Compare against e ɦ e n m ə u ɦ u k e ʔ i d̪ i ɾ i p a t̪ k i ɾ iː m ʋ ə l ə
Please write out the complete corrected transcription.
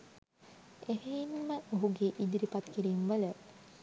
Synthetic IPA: e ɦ e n m ə o ɦ u ɡ e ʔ i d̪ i ɾ i p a t̪ k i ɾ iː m ʋ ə l ə